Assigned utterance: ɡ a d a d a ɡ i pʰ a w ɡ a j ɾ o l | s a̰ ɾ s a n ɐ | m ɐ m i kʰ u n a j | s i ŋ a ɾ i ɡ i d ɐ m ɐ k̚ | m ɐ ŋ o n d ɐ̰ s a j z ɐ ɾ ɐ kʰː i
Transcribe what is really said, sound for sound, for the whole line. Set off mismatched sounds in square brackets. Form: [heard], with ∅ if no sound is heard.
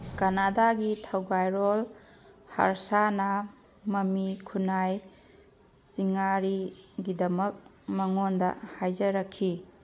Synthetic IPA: [k] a [n] a d a ɡ i [tʰ] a w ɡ a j ɾ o l | [h] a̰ ɾ s a n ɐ | m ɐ m i kʰ u n a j | s i ŋ a ɾ i ɡ i d ɐ m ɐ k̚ | m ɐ ŋ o n d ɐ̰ [h] a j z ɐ ɾ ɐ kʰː i